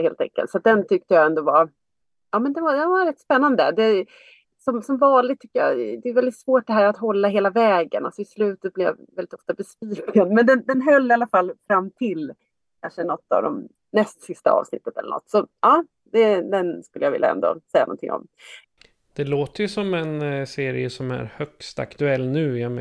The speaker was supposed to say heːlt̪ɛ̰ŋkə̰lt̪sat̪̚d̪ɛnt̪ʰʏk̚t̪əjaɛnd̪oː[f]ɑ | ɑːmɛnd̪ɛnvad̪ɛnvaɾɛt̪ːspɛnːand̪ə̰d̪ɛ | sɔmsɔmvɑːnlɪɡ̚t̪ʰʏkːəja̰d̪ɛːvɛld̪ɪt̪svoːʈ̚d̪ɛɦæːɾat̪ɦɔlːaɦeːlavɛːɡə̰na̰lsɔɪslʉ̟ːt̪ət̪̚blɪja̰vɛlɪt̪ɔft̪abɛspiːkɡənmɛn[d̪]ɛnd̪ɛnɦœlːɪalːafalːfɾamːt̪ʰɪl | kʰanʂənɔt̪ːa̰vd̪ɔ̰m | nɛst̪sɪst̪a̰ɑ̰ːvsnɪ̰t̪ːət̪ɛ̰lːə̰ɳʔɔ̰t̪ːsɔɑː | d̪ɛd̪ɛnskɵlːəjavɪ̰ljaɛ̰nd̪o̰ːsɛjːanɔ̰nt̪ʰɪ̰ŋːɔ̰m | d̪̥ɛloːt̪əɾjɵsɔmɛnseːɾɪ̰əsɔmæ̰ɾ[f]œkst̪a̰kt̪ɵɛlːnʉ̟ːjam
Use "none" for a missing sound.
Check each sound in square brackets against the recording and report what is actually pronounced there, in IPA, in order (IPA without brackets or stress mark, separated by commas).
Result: v, d̪, h